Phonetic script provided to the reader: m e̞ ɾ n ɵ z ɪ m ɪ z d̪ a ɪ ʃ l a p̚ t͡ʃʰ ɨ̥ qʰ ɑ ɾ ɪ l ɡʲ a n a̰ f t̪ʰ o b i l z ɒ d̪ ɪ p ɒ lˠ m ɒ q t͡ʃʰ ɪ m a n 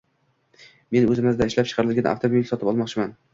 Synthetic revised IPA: m e̞ n ɵ z ɪ m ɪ z d̪ a ɪ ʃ l a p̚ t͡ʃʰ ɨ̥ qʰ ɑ ɾ ɪ l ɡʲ a n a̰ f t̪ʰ o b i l s ɒ t̪ ɪ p ɒ lˠ m ɒ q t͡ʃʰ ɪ m a n